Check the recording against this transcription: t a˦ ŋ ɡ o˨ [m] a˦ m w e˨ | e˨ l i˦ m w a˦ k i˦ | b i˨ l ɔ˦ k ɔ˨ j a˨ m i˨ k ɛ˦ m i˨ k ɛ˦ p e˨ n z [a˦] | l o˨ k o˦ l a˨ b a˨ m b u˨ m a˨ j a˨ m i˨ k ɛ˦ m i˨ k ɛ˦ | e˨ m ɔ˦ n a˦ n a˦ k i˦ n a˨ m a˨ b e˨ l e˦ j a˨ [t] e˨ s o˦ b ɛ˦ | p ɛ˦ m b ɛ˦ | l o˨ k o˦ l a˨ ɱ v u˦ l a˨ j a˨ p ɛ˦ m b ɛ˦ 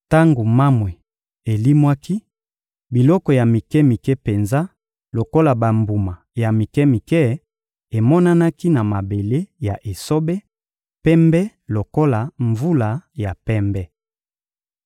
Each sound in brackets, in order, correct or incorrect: correct, correct, incorrect

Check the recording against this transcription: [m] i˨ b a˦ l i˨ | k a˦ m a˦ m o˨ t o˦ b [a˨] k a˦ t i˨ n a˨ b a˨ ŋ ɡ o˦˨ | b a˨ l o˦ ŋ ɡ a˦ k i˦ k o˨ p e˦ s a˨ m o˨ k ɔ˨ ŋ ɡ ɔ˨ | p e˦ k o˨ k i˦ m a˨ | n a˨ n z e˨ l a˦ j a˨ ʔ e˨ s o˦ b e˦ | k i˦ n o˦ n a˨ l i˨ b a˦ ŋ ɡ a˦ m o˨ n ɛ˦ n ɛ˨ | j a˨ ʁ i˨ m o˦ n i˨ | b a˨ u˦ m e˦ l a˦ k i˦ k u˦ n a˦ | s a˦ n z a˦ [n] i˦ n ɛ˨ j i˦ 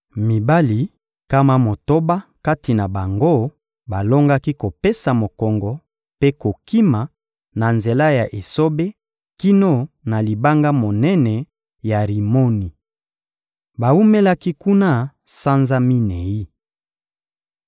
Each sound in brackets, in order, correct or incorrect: correct, incorrect, incorrect

